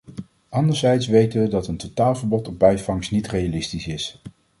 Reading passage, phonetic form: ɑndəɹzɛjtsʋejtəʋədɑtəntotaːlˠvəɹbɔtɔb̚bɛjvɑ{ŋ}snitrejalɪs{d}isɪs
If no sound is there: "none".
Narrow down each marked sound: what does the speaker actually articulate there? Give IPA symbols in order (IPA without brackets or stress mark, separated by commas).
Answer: ŋ, t